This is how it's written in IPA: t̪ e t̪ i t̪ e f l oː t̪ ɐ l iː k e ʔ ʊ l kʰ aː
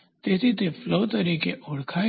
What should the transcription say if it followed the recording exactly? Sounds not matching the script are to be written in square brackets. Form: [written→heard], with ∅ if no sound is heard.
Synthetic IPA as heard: t̪ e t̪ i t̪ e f l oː t̪ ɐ [l→ɾ] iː k e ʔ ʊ [l→ɽ] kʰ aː